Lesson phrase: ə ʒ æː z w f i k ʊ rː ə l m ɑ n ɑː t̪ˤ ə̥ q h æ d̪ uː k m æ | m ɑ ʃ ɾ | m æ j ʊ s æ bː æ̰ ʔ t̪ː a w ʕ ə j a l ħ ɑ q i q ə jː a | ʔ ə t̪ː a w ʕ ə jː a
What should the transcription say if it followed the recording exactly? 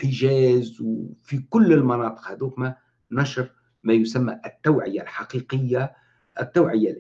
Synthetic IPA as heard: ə ʒ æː z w f i k ʊ lː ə l m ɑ n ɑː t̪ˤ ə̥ q h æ d̪ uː k m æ | n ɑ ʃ ɾ | m æ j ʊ s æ mː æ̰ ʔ t̪ː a w ʕ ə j a l ħ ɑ q i q ə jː a | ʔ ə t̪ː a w ʕ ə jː a